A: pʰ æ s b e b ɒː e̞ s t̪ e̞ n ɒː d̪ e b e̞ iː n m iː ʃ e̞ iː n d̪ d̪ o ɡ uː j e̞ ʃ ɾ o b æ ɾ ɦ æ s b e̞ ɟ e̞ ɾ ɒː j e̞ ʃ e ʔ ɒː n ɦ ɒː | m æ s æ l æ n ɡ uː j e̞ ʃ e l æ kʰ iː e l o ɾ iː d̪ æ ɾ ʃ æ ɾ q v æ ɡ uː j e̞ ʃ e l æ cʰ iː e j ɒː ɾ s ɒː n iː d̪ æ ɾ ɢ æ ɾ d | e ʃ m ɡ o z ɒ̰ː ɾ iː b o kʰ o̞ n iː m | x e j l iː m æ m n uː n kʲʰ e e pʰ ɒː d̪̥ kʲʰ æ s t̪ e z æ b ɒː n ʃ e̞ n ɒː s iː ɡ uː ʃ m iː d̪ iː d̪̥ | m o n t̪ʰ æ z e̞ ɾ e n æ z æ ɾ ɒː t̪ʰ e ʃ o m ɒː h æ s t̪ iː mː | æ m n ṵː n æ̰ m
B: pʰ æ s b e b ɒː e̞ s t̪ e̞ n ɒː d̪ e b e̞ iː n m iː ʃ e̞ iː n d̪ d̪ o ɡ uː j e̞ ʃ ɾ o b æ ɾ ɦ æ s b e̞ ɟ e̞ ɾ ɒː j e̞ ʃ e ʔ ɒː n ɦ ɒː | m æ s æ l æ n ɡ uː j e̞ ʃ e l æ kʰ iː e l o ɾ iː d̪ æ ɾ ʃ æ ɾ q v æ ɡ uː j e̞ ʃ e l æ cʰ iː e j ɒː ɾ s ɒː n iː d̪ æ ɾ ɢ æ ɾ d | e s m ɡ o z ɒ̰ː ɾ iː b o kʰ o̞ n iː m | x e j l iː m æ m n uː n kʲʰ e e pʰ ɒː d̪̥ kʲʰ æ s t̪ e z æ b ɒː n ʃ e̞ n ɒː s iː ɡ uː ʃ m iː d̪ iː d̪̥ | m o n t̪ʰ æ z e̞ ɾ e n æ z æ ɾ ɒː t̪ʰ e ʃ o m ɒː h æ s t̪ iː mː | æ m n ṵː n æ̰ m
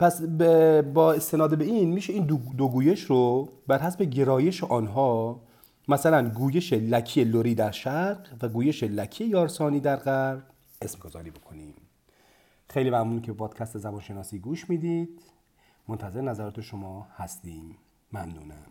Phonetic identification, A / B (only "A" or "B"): B